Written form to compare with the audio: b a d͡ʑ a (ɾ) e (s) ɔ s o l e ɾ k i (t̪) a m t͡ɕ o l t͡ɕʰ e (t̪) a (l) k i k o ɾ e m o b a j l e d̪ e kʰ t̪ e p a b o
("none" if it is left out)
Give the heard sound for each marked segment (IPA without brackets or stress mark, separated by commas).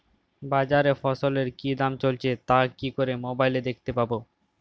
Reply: ɾ, f, d̪, t̪, none